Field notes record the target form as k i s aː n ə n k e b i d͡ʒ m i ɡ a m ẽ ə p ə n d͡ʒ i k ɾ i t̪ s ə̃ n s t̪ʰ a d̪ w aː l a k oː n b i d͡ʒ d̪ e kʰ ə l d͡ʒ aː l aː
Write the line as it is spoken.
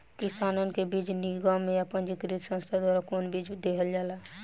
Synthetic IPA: k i s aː n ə n k e b i d͡ʒ n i ɡ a m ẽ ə p ə n d͡ʒ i k ɾ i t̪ s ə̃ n s t̪ʰ a d̪ w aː ɾ a k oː n b i d͡ʒ d̪ e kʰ ə l d͡ʒ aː l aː

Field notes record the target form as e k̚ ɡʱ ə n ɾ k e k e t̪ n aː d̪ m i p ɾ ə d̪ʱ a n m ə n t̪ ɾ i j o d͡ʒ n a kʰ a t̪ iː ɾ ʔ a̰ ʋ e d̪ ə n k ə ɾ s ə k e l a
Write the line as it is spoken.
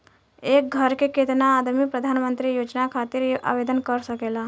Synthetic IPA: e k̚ ɡʱ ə ɾ k e k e t̪ n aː d̪ m i p ɾ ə d̪ʱ a n m ə n t̪ ɾ i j o d͡ʒ n a kʰ a t̪ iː ɾ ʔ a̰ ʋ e d̪ ə n k ə ɾ s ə k e l a

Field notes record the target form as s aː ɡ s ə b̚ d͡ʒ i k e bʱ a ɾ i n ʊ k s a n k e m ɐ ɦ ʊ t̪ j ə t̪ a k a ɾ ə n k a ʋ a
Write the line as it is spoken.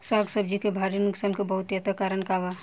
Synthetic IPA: s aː ɡ s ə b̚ d͡ʒ i k e bʱ a ɾ i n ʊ k s a n k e b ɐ ɦ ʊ t̪ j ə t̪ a k a ɾ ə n k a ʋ a

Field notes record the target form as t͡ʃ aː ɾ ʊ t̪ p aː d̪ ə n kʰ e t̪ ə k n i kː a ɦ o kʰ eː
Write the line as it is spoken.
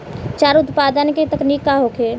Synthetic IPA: t͡ʃ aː ɾ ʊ t̪ p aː d̪ ə n k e t̪ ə k n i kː a ɦ o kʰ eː

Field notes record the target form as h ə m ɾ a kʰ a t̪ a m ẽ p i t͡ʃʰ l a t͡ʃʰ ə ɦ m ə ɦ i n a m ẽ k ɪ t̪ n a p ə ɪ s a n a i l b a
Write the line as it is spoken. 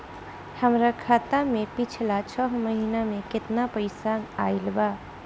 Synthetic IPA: h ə m ɾ a kʰ a t̪ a m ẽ p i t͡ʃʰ l a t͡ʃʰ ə ɦ m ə ɦ i n a m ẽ k ɪ t̪ n a p ə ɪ s a n a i l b a

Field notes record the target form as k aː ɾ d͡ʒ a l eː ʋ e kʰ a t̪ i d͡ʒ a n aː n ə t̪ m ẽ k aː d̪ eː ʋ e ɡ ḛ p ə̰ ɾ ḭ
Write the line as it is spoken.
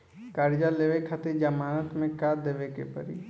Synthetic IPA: k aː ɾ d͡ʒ a l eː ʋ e kʰ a t̪ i d͡ʒ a m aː n ə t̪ m ẽ k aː d̪ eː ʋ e k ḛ p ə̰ ɾ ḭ

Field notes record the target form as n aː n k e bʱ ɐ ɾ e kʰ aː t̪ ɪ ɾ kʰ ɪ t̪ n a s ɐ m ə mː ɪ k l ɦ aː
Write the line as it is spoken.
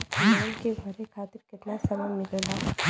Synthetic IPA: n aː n k e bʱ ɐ ɾ e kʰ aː t̪ ɪ ɾ k ɪ t̪ n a s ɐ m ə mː ɪ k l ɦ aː

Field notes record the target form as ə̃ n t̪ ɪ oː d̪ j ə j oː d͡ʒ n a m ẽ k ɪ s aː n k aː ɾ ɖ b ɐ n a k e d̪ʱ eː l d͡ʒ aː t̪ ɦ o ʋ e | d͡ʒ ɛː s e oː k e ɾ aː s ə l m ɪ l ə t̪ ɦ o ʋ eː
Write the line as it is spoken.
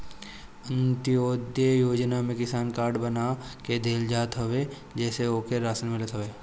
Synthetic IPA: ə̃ n t̪ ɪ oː d̪ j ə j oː d͡ʒ n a m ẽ k ɪ s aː n k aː ɾ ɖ b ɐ n a k e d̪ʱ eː l d͡ʒ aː t̪ ɦ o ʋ e | d͡ʒ ɛː s e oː k e ɾ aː s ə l m ɪ l ə t̪ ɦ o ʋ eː

